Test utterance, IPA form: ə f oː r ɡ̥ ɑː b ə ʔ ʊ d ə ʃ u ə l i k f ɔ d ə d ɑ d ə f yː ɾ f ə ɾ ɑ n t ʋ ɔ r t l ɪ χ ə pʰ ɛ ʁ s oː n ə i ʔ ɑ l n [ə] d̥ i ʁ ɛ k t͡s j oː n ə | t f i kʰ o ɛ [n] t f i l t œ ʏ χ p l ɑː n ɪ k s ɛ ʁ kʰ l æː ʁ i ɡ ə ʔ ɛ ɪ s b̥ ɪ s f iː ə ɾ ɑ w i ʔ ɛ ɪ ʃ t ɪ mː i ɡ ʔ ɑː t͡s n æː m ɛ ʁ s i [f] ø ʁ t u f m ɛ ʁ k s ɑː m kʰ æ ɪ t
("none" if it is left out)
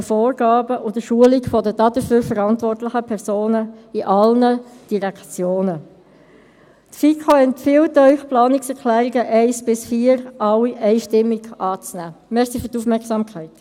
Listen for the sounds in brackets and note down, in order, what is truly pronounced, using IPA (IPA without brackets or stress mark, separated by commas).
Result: ə, n, f